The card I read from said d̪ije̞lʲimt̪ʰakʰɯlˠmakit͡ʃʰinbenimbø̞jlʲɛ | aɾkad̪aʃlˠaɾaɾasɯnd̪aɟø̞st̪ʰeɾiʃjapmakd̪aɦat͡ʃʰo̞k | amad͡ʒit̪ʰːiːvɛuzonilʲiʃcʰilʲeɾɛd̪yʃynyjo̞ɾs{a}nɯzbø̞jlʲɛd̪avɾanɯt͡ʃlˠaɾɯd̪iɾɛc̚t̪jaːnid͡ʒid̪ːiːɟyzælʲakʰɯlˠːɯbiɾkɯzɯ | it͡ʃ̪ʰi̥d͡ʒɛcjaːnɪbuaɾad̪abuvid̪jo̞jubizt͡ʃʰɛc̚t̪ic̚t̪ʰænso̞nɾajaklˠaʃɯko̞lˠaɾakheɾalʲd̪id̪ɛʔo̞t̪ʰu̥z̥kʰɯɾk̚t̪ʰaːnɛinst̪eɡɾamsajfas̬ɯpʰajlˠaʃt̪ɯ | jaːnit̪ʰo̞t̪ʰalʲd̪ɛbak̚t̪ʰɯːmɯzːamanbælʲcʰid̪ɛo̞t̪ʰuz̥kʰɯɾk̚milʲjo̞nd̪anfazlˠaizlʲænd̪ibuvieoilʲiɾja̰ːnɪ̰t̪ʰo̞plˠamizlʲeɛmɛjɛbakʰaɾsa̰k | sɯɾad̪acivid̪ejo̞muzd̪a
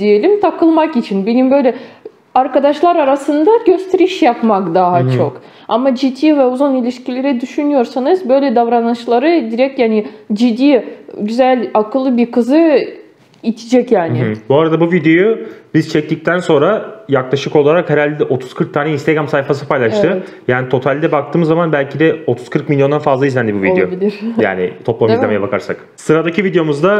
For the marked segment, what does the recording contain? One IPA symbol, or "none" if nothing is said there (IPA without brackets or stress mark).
a